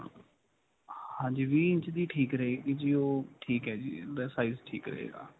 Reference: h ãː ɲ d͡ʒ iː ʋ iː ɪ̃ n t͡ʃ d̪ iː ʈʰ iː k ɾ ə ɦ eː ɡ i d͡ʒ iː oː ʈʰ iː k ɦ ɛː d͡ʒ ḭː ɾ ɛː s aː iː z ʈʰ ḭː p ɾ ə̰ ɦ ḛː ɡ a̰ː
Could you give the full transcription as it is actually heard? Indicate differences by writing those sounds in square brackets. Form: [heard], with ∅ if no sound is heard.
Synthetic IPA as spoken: h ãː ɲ d͡ʒ iː ʋ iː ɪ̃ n t͡ʃ d̪ iː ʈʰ iː k ɾ ə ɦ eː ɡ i d͡ʒ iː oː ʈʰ iː k ɦ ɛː d͡ʒ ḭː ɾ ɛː s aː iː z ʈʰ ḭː [k] ɾ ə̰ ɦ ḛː ɡ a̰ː